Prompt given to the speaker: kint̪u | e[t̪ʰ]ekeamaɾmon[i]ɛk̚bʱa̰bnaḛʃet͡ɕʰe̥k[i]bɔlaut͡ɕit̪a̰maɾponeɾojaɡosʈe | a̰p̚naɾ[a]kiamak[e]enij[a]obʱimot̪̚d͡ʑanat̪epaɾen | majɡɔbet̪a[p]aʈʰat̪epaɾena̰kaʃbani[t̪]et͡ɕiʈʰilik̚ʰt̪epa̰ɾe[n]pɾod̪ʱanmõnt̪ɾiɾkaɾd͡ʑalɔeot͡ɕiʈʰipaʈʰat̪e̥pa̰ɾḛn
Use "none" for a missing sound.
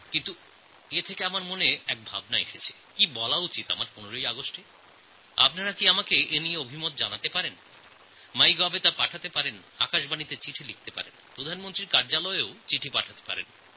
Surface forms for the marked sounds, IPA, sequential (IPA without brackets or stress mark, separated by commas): t̪ʰ, e, i, a, e, e, p, t̪, n